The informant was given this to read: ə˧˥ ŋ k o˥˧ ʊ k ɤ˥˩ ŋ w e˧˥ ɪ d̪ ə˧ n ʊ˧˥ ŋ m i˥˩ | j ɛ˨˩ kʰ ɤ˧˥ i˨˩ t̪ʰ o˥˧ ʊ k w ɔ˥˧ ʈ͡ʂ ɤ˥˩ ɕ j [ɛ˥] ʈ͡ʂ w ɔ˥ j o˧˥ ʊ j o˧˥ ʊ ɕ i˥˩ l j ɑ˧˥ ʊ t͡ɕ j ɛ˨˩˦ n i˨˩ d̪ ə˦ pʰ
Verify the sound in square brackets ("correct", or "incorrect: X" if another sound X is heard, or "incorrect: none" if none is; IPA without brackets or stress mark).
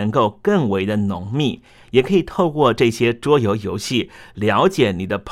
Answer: correct